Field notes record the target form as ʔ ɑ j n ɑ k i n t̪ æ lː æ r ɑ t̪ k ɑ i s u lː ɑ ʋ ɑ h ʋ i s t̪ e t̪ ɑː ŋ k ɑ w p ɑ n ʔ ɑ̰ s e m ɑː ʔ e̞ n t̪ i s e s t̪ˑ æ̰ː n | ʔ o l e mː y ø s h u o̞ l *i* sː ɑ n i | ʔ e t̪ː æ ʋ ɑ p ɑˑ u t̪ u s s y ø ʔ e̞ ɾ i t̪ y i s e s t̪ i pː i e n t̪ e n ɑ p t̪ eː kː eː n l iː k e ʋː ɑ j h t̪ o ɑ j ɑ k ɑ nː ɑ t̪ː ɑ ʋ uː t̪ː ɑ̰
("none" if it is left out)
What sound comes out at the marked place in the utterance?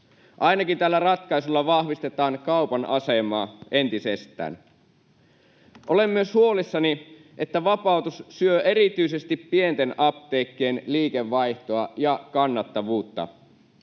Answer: i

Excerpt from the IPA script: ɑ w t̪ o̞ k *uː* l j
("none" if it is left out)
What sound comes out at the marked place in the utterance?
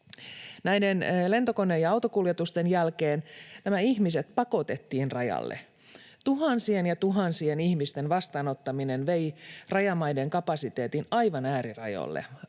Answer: u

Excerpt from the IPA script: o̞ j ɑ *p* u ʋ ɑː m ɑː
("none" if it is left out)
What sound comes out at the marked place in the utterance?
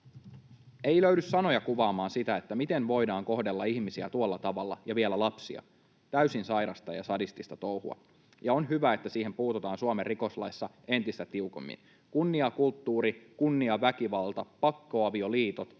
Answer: k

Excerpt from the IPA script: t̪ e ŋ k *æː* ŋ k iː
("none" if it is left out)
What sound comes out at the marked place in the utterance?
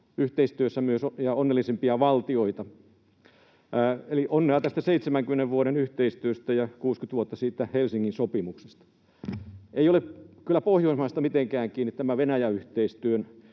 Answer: æː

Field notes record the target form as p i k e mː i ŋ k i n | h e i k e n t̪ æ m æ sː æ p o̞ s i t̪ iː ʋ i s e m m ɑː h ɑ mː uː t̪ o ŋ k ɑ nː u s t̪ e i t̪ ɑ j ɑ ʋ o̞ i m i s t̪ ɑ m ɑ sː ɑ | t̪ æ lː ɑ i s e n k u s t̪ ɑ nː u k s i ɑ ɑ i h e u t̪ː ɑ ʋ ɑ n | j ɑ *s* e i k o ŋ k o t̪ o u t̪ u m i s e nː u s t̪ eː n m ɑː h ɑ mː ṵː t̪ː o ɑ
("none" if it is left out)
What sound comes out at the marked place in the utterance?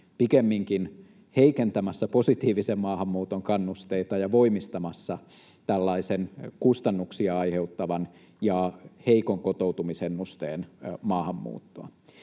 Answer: h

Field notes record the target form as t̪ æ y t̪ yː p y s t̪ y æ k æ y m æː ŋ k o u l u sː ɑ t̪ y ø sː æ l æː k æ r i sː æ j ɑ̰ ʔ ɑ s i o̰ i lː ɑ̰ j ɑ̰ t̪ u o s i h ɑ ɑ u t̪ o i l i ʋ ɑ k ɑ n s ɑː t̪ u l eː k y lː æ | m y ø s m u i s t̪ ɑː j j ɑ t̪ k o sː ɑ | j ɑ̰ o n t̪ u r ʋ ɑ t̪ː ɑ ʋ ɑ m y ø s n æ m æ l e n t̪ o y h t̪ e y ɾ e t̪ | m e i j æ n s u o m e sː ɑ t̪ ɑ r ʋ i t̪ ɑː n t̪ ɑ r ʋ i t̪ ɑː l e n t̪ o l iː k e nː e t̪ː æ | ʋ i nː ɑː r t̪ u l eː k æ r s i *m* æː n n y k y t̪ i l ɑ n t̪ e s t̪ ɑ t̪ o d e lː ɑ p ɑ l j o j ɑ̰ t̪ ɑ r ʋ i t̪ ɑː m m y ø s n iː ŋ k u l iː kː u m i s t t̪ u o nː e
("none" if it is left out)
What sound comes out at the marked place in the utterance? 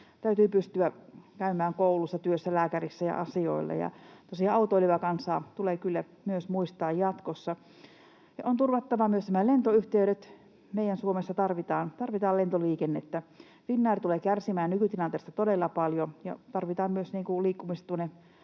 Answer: m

